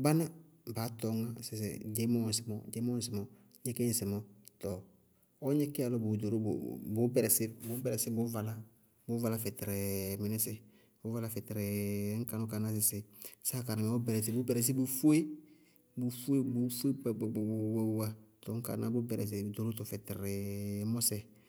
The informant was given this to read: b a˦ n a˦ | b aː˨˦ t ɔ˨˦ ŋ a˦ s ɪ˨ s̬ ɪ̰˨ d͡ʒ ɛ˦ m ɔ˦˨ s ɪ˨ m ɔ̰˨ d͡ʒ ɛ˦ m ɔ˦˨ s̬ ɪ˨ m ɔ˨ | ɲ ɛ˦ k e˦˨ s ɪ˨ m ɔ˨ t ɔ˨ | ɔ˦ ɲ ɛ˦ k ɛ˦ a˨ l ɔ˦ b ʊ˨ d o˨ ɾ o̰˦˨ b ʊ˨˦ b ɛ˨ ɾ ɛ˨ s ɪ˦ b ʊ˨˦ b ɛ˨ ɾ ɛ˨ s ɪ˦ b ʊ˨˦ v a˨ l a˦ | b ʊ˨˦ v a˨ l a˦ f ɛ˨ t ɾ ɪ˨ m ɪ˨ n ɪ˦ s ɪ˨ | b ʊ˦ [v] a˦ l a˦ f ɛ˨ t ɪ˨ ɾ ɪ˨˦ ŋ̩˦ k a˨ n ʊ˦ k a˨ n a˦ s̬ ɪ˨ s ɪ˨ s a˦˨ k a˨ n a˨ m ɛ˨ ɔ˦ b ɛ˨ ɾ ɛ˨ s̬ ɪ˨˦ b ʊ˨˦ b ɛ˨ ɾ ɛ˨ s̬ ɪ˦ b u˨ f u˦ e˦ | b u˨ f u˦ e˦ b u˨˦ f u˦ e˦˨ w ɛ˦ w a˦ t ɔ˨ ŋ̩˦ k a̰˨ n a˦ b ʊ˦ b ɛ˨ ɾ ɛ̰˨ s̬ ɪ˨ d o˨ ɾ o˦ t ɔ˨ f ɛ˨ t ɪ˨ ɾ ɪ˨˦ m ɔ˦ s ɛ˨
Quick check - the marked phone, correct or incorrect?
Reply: correct